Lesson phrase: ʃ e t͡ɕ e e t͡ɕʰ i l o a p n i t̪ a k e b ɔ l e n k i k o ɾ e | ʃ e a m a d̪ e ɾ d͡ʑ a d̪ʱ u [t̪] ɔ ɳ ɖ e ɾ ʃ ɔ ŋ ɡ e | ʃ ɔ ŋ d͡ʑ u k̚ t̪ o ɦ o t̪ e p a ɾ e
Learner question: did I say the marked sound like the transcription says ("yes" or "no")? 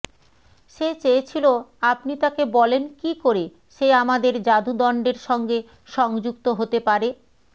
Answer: no